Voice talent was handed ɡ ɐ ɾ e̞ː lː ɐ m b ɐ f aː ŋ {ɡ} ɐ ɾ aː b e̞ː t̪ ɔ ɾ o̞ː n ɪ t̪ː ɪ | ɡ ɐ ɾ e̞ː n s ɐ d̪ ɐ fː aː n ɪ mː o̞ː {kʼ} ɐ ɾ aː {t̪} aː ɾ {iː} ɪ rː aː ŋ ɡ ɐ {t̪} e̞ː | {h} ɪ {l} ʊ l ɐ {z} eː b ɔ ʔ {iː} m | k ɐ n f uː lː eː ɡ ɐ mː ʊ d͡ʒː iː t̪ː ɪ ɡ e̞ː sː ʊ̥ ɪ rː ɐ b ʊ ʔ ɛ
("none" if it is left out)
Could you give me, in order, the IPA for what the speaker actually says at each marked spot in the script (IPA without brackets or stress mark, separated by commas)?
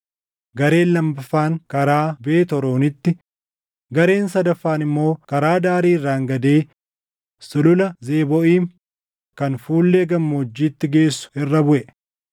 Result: k, k, d̪, iː, d̪, s, l, z, iː